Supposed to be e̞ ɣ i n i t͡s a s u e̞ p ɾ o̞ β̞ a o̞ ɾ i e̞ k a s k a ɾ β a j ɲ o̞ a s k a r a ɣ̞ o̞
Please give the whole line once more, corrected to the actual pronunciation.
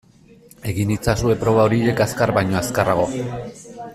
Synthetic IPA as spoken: e̞ ɣ i n i t͡s a s u e̞ p ɾ o̞ β̞ a o̞ ɾ i e̞ k a s k a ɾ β a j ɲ o̞ a s k a r a ɣ̞ o̞